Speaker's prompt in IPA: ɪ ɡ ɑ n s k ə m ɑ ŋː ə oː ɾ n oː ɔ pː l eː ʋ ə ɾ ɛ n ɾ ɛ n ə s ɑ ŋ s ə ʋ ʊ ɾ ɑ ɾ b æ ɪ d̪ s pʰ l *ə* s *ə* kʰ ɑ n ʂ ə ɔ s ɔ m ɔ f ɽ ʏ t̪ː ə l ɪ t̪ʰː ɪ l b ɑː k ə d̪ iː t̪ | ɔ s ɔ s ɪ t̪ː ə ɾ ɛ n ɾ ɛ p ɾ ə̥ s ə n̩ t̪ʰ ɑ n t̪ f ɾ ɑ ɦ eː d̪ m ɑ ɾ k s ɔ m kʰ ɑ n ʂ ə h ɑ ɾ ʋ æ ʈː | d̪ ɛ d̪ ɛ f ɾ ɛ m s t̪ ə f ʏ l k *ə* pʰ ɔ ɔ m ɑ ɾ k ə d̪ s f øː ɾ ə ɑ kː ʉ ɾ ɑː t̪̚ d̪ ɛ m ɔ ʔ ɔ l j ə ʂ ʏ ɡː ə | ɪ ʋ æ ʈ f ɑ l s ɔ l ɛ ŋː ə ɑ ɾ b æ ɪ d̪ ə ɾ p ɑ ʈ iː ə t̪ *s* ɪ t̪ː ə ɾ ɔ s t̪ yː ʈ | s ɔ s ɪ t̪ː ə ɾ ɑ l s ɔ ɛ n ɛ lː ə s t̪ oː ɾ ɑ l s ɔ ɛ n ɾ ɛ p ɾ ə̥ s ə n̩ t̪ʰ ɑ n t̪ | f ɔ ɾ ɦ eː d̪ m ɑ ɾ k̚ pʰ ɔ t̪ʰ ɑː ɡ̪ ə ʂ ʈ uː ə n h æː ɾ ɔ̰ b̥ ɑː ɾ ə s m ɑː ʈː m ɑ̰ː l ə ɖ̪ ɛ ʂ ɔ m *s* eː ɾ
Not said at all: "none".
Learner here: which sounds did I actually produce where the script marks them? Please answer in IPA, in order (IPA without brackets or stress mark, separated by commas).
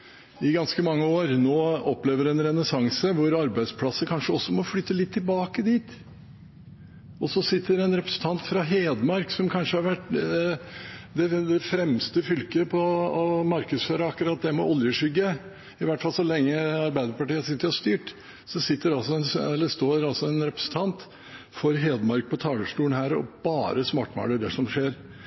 ɑ, ə, ə, s, ʂ